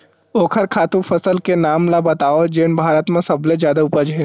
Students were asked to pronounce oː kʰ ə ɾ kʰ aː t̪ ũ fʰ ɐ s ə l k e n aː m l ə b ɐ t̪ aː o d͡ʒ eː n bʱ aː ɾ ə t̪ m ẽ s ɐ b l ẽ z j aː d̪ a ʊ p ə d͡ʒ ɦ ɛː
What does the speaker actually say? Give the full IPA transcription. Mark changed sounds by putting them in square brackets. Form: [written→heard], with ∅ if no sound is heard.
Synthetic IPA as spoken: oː kʰ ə ɾ kʰ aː t̪ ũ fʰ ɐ s ə l k e n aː m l [ə→a] b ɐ t̪ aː o d͡ʒ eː n bʱ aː ɾ ə t̪ m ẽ s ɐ b l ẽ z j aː d̪ a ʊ p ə d͡ʒ ɦ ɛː